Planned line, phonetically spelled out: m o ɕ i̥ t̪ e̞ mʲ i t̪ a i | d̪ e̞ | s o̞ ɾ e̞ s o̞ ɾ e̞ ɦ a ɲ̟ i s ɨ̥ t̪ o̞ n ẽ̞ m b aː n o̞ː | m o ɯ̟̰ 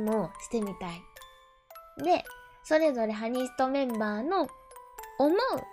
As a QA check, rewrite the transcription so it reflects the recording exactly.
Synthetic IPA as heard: m o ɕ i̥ t̪ e̞ mʲ i t̪ a i | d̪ e̞ | s o̞ ɾ e̞ z o̞ ɾ e̞ ɦ a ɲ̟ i s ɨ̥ t̪ o̞ m ẽ̞ m b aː n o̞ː | m o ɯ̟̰